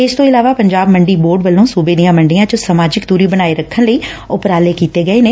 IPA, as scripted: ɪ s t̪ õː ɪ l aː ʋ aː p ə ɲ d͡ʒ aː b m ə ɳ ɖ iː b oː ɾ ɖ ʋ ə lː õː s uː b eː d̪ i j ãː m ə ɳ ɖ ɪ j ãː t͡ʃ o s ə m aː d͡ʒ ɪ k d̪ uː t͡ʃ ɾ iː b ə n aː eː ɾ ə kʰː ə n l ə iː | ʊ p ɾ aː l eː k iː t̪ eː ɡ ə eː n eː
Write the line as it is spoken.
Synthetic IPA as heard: ɪ s t̪ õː ɪ l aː ʋ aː p ə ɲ d͡ʒ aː b m ə ɳ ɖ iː b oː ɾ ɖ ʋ ə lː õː s uː b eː d̪ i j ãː m ə ɳ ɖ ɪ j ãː t͡ʃ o s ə m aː d͡ʒ ɪ k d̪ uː ɾ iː b ə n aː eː ɾ ə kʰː ə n l ə iː | ʊ p ɾ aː l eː k iː t̪ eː ɡ ə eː n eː